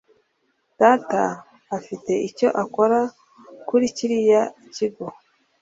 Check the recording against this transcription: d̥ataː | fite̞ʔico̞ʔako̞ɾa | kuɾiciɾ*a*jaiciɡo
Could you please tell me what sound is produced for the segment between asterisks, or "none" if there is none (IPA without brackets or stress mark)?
i